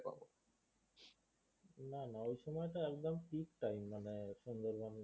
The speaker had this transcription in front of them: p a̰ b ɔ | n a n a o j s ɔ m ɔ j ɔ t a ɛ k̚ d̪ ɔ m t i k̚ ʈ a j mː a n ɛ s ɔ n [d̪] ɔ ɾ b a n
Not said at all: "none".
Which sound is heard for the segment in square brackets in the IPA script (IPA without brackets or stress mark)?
d̪